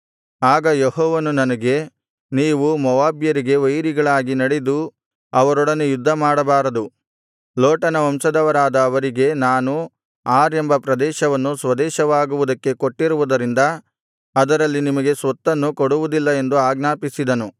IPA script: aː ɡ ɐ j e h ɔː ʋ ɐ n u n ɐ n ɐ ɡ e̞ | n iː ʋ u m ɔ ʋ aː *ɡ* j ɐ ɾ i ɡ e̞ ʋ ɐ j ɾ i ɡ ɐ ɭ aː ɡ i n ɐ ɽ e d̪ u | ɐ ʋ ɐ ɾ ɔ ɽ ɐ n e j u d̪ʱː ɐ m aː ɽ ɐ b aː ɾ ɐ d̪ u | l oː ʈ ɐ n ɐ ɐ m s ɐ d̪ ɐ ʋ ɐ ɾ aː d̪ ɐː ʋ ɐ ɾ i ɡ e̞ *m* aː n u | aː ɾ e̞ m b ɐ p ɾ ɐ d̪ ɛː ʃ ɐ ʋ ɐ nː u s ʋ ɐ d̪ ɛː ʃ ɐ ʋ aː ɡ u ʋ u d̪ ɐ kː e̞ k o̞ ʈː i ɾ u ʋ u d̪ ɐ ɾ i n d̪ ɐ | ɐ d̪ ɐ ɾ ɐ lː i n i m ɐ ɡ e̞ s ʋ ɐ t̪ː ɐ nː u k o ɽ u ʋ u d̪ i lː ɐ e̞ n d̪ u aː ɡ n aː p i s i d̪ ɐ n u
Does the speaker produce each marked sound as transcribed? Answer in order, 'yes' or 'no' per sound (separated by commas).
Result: no, no